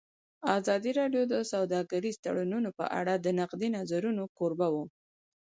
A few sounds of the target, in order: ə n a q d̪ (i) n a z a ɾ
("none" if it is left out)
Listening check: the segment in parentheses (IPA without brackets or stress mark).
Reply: i